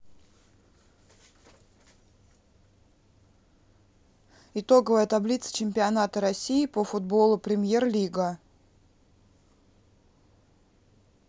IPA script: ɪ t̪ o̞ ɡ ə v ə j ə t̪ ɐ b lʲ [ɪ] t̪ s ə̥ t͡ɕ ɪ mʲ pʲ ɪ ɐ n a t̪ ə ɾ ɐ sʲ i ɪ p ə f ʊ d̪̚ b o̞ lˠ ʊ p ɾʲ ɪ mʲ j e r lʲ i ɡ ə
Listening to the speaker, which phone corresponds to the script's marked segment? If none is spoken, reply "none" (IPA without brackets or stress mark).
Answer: i